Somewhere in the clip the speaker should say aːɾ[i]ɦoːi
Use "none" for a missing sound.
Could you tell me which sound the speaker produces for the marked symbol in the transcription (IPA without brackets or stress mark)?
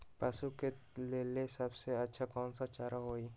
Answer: a